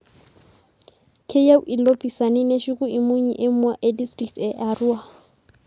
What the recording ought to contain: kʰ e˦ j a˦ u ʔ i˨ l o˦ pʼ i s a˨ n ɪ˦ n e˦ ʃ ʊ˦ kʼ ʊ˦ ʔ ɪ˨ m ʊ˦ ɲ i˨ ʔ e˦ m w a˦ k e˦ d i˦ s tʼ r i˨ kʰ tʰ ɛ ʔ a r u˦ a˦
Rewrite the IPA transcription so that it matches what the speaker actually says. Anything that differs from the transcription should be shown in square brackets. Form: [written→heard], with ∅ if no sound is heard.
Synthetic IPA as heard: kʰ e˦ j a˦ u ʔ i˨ l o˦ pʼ i s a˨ n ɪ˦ n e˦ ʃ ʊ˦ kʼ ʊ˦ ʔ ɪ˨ m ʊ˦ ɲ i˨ ʔ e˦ m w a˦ [k→ʔ] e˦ d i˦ s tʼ r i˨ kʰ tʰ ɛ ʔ a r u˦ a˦